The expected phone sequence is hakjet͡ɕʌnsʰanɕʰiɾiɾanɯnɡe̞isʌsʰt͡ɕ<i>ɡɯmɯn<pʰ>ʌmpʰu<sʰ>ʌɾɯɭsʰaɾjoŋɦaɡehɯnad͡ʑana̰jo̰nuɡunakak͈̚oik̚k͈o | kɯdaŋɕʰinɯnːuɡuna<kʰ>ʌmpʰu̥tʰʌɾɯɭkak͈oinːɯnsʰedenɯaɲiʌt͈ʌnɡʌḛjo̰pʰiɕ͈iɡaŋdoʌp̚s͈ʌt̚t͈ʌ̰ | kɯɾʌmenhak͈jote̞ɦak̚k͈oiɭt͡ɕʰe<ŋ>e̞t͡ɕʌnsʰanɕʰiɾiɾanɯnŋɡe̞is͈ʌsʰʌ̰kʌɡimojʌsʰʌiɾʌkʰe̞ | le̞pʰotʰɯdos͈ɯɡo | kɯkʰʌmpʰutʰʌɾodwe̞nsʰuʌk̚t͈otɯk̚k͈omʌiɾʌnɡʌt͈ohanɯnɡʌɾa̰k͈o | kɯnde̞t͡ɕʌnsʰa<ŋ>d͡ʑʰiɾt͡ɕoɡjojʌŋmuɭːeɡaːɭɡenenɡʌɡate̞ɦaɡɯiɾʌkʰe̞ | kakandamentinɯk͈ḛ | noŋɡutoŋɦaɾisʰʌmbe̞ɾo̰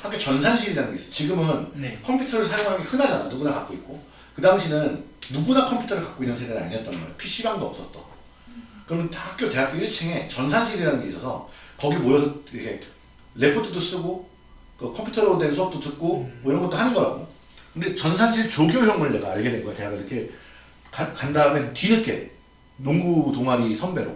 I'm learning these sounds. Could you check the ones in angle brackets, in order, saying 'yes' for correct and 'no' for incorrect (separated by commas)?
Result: yes, no, no, yes, yes, no